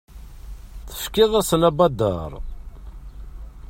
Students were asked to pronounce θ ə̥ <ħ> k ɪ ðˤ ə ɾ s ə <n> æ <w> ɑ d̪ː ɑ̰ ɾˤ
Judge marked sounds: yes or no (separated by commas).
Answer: no, yes, no